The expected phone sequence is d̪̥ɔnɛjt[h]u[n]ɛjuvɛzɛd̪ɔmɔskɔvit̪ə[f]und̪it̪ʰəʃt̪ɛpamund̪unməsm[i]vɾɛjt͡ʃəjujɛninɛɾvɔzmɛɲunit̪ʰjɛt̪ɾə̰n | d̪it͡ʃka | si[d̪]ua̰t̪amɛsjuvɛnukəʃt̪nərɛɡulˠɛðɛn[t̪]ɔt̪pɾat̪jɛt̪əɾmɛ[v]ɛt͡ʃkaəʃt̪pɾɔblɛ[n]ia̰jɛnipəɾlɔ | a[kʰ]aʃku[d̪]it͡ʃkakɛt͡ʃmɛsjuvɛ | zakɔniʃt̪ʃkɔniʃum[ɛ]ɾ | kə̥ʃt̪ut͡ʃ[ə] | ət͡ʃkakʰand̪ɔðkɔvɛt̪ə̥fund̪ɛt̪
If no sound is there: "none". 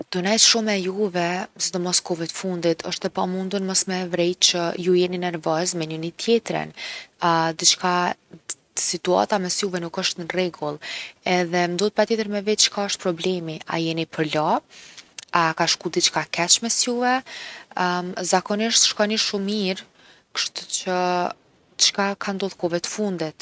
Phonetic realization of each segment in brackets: ʃ, m, f, ɛ, t̪, d̪, v, m, k, d̪, i, ə

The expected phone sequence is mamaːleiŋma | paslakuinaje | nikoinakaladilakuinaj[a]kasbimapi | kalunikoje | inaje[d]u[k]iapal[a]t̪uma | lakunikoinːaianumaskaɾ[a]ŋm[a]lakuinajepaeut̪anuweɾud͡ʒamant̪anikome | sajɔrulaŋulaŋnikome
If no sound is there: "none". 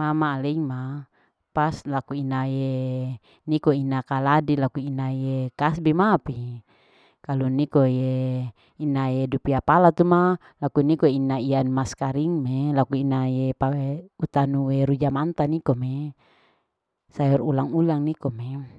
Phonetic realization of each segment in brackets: e, d, p, a, i, e

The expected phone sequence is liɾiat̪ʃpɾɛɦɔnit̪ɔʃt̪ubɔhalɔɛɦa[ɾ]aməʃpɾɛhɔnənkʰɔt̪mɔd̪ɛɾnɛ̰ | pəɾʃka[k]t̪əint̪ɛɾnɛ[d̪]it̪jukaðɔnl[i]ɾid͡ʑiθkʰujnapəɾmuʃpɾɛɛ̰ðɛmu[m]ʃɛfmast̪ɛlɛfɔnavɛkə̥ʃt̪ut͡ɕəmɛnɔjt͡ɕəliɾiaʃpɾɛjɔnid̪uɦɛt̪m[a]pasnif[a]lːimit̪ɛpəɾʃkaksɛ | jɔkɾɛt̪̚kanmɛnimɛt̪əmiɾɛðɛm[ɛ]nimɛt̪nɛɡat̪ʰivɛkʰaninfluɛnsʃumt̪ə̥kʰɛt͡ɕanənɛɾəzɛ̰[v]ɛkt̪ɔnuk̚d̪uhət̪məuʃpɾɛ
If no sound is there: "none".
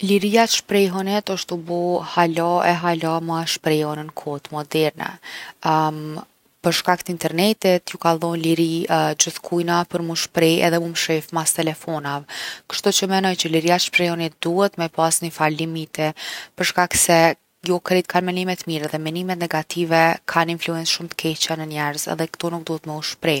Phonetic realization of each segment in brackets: l, k, t̪, i, m, ɛ, a, ɛ, ð

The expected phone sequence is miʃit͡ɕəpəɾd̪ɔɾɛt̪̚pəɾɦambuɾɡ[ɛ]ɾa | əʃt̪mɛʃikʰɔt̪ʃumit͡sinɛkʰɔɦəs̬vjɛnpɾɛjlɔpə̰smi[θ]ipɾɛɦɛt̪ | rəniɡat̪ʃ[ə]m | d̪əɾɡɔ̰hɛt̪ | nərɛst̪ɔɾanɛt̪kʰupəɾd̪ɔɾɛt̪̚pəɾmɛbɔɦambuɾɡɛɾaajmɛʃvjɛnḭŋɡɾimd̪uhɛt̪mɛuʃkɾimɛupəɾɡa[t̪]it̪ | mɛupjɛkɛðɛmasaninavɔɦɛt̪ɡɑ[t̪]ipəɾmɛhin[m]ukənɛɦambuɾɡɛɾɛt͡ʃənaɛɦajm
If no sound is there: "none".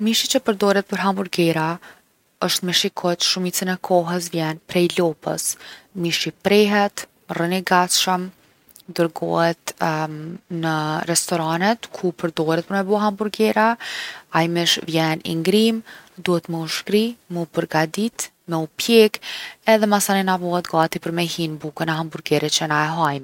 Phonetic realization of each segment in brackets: ɛ, ʃ, ə, d̪, t̪, b

